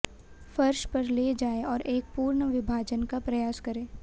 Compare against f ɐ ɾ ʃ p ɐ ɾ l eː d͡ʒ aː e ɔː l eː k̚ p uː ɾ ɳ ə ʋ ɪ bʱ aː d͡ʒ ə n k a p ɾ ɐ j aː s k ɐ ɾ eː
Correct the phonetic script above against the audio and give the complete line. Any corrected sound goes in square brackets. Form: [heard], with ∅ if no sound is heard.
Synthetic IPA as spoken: f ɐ ɾ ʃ p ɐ ɾ l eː d͡ʒ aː e ɔː [ɾ] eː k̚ p uː ɾ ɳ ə ʋ ɪ bʱ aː d͡ʒ ə n k a p ɾ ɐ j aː s k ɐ ɾ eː